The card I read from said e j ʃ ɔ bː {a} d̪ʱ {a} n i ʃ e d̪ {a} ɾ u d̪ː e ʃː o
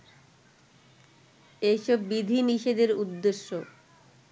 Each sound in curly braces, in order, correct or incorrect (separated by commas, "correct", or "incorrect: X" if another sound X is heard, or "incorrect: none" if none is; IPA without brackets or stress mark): incorrect: i, incorrect: i, incorrect: e